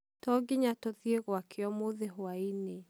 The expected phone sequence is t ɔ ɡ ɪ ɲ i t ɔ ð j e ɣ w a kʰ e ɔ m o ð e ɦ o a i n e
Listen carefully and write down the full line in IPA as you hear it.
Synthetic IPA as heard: t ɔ ɡ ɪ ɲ a t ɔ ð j e ɣ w a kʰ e ɔ m o ð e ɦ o a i n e